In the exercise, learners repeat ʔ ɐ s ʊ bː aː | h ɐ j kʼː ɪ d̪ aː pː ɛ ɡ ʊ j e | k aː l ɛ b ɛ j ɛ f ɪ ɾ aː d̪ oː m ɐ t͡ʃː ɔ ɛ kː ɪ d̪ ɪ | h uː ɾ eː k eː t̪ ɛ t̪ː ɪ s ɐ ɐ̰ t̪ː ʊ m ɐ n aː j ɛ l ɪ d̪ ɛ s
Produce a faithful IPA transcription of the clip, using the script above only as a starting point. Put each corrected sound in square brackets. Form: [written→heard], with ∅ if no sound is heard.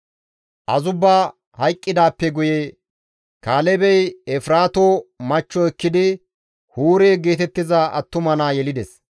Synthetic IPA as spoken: ʔ ɐ [s→z] ʊ bː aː | h ɐ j kʼː ɪ d̪ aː pː ɛ ɡ ʊ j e | k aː l ɛ b ɛ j ɛ f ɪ ɾ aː [d̪→t̪] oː m ɐ t͡ʃː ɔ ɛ kː ɪ d̪ ɪ | h uː ɾ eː [k→ɡ] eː t̪ ɛ t̪ː ɪ [s→z] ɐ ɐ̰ t̪ː ʊ m ɐ n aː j ɛ l ɪ d̪ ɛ s

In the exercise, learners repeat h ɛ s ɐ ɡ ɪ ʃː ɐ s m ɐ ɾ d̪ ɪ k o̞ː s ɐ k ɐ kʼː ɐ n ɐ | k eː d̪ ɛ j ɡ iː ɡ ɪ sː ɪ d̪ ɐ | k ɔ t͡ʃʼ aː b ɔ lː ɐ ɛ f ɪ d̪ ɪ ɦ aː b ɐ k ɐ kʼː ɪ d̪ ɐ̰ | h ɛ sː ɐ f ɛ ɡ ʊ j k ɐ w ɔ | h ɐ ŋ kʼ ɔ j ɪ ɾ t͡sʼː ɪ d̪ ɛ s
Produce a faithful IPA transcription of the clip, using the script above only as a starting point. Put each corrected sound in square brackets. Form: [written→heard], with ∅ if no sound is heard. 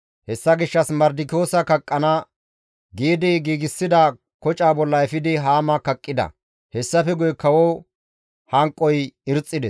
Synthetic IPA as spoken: h ɛ [s→sː] ɐ ɡ ɪ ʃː ɐ s m ɐ ɾ d̪ ɪ k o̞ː s ɐ k ɐ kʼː ɐ n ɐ | [k→ɡ] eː d̪ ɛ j ɡ iː ɡ ɪ sː ɪ d̪ ɐ | k ɔ t͡ʃʼ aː b ɔ lː ɐ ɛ f ɪ d̪ ɪ ɦ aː [b→m] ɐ k ɐ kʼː ɪ d̪ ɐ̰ | h ɛ sː ɐ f ɛ ɡ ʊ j k ɐ w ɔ | h ɐ ŋ kʼ ɔ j ɪ ɾ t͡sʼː ɪ d̪ ɛ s

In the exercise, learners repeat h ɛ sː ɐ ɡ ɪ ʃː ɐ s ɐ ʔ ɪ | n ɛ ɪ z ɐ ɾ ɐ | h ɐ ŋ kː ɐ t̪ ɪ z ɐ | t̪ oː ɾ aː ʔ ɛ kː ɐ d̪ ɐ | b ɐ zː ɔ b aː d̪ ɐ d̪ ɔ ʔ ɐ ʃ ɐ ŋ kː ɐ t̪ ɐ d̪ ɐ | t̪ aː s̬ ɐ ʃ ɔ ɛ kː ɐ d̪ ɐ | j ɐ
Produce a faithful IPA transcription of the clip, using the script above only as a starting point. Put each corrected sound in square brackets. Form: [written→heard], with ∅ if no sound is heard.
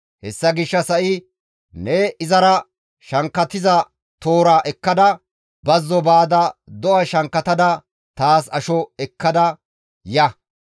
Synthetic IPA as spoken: h ɛ sː ɐ ɡ ɪ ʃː ɐ s ɐ ʔ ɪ | n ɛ ɪ z ɐ ɾ ɐ | [h→ʃ] ɐ ŋ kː ɐ t̪ ɪ z ɐ | t̪ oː ɾ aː ʔ ɛ kː ɐ d̪ ɐ | b ɐ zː ɔ b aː d̪ ɐ d̪ ɔ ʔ ɐ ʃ ɐ ŋ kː ɐ t̪ ɐ d̪ ɐ | t̪ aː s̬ ɐ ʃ ɔ ɛ kː ɐ d̪ ɐ | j ɐ

